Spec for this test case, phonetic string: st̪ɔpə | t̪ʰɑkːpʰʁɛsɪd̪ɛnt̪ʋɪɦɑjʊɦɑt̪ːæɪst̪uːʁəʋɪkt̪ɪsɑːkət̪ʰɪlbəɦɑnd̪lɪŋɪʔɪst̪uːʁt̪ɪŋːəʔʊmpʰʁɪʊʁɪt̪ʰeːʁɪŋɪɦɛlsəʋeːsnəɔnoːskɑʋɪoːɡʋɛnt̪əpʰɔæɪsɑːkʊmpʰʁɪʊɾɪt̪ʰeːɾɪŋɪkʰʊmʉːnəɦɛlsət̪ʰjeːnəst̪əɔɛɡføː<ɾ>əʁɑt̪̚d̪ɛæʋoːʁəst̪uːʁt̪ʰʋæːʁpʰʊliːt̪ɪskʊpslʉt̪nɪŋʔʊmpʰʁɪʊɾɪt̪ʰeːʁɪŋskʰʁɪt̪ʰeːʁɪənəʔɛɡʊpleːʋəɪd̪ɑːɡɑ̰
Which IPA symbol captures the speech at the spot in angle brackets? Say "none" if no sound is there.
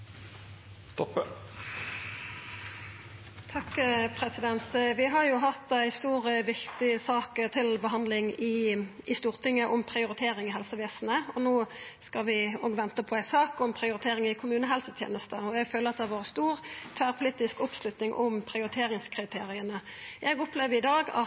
l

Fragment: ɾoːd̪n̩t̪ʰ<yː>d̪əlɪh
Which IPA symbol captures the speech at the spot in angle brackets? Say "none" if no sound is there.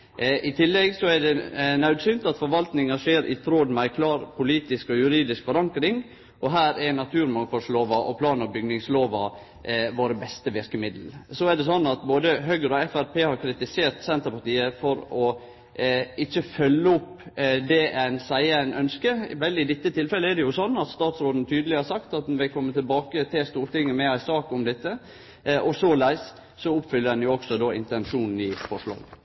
yː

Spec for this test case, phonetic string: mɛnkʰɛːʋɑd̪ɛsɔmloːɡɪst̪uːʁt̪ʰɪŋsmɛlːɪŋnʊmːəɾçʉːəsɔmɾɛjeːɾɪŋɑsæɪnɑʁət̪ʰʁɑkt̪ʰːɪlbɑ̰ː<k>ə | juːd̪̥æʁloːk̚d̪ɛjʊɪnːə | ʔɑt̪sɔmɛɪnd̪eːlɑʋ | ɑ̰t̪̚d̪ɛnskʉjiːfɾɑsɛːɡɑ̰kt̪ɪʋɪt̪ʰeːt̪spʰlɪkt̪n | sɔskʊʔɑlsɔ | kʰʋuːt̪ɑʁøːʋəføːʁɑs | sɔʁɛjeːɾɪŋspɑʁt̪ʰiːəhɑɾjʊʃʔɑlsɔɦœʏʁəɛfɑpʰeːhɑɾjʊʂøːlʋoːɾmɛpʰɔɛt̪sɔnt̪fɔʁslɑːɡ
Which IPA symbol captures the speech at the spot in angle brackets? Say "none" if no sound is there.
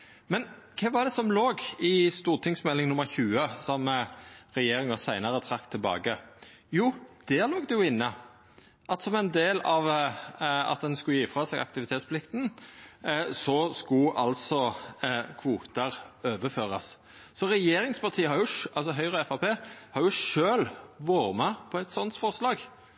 ɡ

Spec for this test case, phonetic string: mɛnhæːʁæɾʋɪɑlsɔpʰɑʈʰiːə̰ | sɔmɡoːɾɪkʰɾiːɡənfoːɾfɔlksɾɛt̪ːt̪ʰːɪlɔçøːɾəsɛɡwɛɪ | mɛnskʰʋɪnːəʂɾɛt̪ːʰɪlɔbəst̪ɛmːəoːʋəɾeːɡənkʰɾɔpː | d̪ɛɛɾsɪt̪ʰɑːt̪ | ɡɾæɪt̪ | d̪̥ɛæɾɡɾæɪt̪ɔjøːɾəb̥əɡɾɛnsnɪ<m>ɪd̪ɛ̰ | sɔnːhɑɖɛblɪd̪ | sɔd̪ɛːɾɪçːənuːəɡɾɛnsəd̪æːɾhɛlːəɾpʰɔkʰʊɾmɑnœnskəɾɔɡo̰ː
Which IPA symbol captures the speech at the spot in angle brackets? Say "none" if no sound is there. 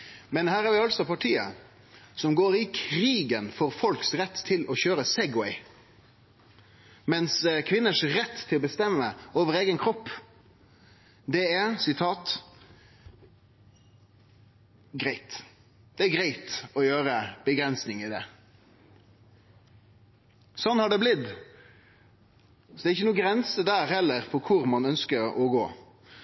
ŋ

